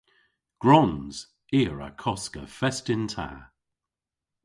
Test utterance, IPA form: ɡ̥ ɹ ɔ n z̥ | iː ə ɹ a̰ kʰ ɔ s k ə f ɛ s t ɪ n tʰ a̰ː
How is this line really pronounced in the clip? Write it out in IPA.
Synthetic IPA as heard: ɡ̥ ɹ ɔ n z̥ | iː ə ɹ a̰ kʰ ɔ s k ə f ɛ s t ɪ n tʰ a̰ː